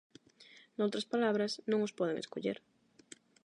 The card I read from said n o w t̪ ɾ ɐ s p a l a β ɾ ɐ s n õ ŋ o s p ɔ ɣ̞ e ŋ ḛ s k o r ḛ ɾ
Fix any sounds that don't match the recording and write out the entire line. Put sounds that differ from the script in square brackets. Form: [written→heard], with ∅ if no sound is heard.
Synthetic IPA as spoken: n o w t̪ ɾ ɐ s p a l a β ɾ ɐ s n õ ŋ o s p ɔ [ɣ̞→ð̞] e ŋ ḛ s k o [r→ʎ] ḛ ɾ